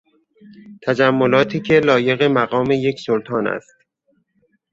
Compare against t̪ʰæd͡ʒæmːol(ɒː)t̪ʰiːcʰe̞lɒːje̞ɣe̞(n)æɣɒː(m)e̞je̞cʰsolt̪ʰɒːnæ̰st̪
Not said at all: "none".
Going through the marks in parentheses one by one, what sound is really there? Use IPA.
ɒː, m, m

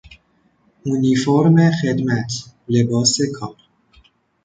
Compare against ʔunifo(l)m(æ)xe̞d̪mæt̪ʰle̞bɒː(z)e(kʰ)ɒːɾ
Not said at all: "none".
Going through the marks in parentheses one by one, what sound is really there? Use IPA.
ɾ, e, s, kʰ

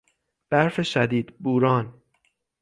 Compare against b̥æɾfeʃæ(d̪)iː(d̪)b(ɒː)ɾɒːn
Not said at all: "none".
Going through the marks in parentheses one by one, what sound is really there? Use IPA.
d̪, d̪, uː

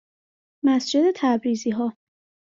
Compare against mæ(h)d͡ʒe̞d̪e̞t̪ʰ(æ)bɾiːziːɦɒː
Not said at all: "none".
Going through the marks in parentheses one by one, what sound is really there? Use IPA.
s, æ

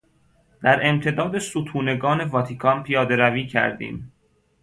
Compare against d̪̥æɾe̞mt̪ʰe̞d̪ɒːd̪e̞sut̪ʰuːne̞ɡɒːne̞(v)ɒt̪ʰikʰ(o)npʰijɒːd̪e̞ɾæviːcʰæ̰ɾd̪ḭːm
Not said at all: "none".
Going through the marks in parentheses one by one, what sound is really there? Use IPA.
v, ɒ

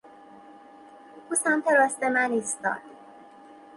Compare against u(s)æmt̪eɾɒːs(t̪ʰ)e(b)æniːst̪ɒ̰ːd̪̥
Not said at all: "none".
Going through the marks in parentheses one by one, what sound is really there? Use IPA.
s, t̪, m

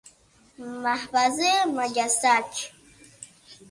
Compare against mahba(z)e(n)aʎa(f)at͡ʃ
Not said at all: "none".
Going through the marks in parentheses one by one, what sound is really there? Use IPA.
z, m, s

